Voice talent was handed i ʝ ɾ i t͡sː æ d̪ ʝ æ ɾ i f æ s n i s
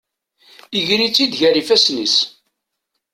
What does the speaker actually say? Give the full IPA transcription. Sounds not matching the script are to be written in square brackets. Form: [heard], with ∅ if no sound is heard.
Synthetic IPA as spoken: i ʝ ɾ i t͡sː [i] d̪ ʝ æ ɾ i f æ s n i s